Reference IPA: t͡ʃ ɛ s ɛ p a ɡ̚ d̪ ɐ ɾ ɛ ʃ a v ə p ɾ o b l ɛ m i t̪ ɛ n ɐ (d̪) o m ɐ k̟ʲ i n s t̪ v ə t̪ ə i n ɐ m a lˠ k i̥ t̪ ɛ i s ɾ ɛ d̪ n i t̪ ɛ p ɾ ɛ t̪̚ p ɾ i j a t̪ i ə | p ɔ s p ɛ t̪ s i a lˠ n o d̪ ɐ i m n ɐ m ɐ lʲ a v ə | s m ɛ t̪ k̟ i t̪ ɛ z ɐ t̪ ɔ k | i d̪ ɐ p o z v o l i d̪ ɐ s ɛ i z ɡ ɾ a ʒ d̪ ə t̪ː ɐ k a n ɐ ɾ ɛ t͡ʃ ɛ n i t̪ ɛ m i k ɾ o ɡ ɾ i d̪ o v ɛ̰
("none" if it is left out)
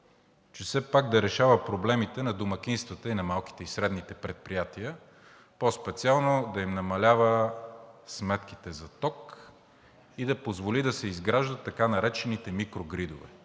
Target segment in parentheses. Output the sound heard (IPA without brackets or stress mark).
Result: d̪